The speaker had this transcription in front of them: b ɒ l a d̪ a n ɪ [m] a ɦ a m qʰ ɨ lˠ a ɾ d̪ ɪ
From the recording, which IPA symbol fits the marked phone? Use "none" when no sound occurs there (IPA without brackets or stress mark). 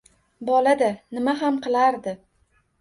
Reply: m